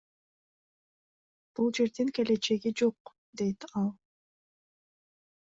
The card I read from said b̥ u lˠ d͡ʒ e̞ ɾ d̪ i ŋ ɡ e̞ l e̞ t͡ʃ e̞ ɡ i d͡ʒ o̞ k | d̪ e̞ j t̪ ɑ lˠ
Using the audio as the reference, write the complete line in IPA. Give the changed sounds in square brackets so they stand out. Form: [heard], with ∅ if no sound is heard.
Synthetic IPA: b̥ u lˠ d͡ʒ e̞ ɾ d̪ i ŋ [k] e̞ l e̞ t͡ʃ e̞ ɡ i d͡ʒ o̞ [q] | d̪ e̞ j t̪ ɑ lˠ

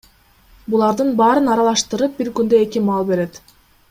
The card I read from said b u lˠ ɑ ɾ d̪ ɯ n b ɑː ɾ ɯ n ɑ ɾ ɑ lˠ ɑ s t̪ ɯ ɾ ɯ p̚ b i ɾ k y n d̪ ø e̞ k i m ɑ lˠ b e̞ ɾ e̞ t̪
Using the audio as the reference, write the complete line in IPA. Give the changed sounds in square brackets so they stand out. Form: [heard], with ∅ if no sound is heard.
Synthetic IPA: b u lˠ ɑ ɾ d̪ ɯ n b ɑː ɾ ɯ n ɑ ɾ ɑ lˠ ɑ [ʃ] t̪ ɯ ɾ ɯ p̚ b i ɾ k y n d̪ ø e̞ k i m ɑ lˠ b e̞ ɾ e̞ t̪

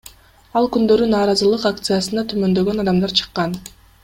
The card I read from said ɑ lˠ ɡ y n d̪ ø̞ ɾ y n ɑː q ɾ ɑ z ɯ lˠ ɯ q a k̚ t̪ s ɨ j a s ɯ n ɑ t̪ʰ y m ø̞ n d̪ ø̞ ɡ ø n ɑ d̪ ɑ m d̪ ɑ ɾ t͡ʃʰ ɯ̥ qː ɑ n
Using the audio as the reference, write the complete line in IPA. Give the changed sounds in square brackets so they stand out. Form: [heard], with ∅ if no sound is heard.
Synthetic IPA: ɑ lˠ [k] y n d̪ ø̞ ɾ y n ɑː [∅] ɾ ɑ z ɯ lˠ ɯ q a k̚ t̪ s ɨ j a s ɯ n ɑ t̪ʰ y m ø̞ n d̪ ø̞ ɡ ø n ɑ d̪ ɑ m d̪ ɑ ɾ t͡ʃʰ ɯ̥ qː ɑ n

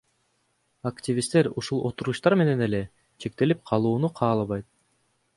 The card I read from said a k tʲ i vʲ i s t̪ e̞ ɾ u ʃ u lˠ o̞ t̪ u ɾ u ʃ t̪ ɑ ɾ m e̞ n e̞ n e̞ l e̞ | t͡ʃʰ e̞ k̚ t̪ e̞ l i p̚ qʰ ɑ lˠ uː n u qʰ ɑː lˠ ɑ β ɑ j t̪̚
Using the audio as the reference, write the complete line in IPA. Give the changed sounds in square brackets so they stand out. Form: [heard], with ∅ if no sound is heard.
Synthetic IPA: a k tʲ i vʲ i s t̪ e̞ ɾ u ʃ u lˠ o̞ t̪ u ɾ u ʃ t̪ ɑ ɾ m e̞ n e̞ n e̞ l e̞ | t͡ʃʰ e̞ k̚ t̪ e̞ l i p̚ qʰ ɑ lˠ uː n u qʰ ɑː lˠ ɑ β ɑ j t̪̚

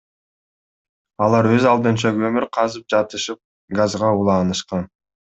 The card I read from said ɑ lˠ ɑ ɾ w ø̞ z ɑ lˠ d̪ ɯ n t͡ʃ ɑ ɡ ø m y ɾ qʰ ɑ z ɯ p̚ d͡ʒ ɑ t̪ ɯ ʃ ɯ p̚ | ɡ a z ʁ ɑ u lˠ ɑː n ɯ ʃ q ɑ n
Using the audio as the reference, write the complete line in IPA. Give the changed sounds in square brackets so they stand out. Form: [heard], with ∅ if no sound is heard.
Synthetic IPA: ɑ lˠ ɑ ɾ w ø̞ z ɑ lˠ d̪ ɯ n t͡ʃ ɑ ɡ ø m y ɾ qʰ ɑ z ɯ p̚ d͡ʒ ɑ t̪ ɯ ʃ ɯ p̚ | ɡ a z ʁ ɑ u lˠ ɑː n ɯ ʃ q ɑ n

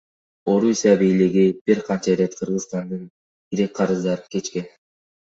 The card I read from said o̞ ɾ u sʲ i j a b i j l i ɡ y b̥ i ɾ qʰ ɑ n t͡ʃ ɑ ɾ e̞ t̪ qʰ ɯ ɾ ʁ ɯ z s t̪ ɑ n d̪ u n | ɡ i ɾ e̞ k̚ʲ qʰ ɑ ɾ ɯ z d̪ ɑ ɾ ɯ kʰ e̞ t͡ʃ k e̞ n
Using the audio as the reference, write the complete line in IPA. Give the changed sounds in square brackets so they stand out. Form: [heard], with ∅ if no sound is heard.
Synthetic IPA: o̞ ɾ u sʲ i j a b i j l i ɡ [i] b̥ i ɾ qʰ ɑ n t͡ʃ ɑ ɾ e̞ t̪ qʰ ɯ ɾ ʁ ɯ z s t̪ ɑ n d̪ [ɯ] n | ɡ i ɾ e̞ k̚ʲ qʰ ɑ ɾ ɯ z d̪ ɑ ɾ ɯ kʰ e̞ t͡ʃ k e̞ n

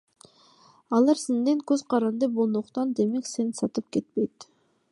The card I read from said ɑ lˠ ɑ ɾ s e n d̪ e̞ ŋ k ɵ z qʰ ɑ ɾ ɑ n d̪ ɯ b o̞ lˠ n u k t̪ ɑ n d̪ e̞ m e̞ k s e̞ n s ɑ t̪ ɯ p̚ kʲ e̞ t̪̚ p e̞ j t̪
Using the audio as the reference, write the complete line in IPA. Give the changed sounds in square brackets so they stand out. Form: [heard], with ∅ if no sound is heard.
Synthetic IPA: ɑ lˠ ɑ ɾ s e n d̪ e̞ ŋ k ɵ z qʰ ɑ ɾ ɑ n d̪ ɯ b o̞ lˠ n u [q] t̪ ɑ n d̪ e̞ m e̞ k s e̞ n s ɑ t̪ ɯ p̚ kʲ e̞ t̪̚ p e̞ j t̪

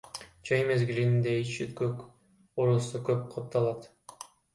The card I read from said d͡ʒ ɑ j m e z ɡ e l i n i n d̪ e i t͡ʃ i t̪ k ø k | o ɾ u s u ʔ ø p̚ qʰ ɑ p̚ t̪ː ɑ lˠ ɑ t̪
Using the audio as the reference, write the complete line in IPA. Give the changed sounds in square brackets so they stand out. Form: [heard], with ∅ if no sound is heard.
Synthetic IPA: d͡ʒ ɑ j m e z ɡ [i] l i n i n d̪ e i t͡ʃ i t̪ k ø k | o ɾ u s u [k] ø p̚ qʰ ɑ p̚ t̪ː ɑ lˠ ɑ t̪

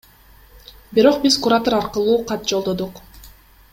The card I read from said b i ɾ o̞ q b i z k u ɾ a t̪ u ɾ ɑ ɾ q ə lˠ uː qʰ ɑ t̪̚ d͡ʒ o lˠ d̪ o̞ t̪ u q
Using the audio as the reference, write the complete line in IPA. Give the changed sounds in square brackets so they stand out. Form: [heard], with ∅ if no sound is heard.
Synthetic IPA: b i ɾ o̞ q b i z k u ɾ a t̪ [o] ɾ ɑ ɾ q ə lˠ uː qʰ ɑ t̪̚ d͡ʒ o lˠ d̪ o̞ [d̪] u q

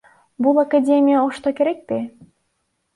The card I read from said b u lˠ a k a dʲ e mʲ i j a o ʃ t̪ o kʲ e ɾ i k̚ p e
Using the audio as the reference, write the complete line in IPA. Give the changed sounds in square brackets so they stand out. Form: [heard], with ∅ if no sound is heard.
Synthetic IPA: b u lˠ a k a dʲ e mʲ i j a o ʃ t̪ o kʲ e ɾ [e] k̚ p e

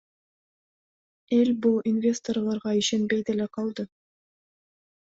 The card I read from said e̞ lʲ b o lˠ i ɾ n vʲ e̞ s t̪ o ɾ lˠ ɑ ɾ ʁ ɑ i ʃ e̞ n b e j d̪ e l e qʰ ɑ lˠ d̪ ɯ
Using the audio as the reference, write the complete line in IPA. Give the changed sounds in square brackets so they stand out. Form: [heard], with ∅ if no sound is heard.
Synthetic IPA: e̞ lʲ b [u] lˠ i [∅] n vʲ e̞ s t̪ o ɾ lˠ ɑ ɾ ʁ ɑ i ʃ e̞ n b e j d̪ e l e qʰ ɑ lˠ d̪ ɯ

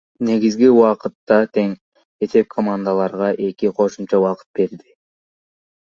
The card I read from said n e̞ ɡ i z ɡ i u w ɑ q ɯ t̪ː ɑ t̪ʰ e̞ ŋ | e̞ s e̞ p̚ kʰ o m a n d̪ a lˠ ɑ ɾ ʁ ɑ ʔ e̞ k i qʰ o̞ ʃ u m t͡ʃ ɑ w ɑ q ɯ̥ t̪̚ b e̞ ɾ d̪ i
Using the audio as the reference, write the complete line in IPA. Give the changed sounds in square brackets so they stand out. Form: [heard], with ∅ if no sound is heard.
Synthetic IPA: n e̞ ɡ i z ɡ i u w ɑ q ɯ t̪ː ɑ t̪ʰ e̞ ŋ | e̞ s e̞ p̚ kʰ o m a n d̪ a lˠ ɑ ɾ ʁ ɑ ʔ e̞ k i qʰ o̞ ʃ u m t͡ʃ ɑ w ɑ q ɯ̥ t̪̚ b e̞ ɾ d̪ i

